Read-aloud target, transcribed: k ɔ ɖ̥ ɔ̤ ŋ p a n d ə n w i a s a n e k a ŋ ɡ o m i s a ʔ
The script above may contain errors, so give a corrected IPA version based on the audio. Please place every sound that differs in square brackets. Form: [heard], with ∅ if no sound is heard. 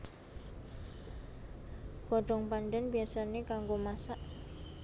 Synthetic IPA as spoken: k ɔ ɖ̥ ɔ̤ ŋ p a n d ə n [b] i a s a n e k a ŋ ɡ o m [a] s a ʔ